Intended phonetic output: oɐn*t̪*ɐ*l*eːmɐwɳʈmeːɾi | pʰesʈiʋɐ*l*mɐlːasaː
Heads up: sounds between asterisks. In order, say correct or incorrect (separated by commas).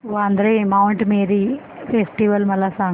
incorrect, incorrect, correct